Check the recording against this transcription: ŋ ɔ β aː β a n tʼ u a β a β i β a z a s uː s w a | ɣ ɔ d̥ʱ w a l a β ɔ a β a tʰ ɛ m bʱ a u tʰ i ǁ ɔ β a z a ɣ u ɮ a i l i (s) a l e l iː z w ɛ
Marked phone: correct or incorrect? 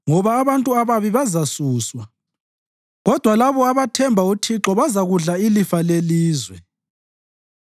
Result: incorrect